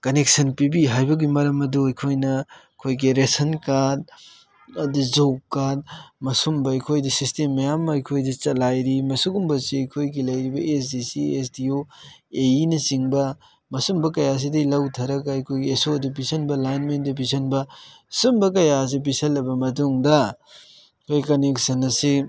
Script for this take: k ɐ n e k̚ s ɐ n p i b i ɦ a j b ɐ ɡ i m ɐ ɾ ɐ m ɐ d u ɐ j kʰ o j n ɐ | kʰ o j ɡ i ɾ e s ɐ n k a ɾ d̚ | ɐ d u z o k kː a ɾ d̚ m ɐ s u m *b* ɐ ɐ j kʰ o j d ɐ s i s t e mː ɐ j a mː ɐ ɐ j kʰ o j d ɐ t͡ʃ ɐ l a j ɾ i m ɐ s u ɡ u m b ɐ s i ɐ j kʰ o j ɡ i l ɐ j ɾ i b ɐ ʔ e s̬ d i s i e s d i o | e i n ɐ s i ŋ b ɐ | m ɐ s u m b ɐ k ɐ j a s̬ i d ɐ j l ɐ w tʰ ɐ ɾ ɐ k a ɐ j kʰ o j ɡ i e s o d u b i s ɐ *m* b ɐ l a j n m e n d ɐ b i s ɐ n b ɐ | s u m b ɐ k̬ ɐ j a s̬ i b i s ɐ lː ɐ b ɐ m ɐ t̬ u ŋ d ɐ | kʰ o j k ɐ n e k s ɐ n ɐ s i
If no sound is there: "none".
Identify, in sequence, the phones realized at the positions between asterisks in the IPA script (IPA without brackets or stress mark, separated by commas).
b, n